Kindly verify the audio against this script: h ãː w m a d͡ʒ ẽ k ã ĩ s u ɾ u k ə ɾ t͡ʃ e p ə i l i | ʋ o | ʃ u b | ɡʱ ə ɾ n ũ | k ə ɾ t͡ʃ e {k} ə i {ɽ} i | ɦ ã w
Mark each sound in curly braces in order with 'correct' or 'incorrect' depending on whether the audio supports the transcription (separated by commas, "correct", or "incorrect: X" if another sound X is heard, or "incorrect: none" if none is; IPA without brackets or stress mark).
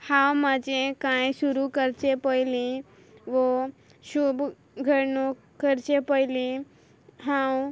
incorrect: p, incorrect: l